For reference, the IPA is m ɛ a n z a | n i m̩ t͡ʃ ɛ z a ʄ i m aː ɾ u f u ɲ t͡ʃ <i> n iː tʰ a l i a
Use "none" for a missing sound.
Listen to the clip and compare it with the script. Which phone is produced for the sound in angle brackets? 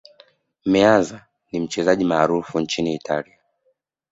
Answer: i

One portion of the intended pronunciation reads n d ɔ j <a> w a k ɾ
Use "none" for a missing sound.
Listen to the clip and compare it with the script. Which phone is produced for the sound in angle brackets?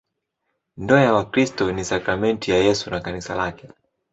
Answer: a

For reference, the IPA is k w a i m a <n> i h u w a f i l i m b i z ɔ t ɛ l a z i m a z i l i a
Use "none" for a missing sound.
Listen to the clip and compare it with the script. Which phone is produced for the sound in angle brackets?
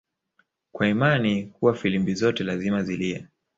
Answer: n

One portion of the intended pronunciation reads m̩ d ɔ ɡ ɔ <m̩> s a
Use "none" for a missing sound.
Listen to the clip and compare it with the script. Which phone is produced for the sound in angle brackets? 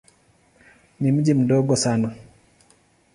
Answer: none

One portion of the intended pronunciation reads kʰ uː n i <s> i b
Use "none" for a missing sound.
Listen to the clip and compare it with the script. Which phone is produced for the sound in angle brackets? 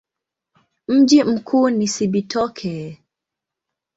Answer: s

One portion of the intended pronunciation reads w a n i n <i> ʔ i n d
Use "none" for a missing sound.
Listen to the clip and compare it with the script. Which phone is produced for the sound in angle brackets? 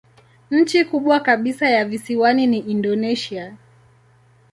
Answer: i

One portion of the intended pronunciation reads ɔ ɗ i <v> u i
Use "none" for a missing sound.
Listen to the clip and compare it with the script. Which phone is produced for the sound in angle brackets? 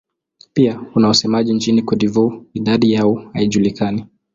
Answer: v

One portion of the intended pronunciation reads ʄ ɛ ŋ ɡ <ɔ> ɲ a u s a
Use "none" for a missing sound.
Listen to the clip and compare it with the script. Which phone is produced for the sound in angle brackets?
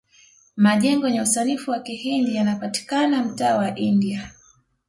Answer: ɔ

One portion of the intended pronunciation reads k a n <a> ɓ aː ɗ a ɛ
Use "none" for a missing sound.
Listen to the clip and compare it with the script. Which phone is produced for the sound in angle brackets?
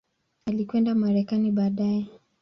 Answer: i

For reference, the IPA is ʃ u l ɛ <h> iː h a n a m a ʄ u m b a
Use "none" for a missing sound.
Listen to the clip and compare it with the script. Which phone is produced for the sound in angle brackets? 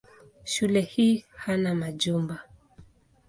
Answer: h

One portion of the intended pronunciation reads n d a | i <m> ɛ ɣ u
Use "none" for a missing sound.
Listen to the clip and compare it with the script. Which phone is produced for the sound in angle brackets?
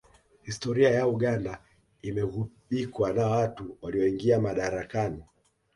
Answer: m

